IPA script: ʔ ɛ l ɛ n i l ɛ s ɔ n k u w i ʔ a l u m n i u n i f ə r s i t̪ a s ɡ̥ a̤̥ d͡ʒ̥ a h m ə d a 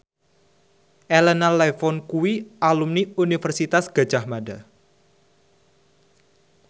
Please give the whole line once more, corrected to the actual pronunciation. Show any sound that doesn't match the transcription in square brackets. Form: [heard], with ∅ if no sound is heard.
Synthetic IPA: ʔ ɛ l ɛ n [a] l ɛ [f] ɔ n k u w i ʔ a l u m n i u n i f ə r s i t̪ a s ɡ̥ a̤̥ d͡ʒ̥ a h m [a] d a